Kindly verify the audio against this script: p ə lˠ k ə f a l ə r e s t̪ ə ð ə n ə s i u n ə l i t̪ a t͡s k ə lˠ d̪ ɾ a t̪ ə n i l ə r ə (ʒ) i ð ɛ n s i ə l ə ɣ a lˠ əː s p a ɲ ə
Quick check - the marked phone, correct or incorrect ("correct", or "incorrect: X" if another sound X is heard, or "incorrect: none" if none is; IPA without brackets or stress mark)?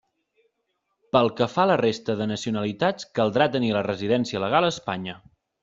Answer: incorrect: z